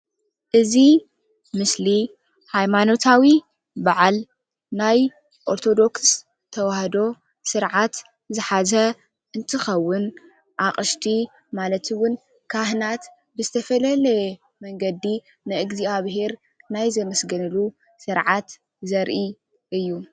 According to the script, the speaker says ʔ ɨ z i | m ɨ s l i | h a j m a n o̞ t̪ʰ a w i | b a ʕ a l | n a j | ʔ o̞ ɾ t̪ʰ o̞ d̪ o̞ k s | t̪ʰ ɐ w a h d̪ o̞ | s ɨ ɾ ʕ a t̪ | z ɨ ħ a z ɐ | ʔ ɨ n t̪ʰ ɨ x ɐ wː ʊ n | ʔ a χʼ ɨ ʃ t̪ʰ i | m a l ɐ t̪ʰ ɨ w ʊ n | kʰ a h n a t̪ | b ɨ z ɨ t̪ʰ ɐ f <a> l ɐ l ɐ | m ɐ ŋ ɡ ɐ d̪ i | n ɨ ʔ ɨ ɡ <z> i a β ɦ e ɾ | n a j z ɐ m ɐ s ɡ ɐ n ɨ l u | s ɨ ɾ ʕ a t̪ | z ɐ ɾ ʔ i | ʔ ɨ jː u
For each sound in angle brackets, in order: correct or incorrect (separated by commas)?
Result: incorrect, correct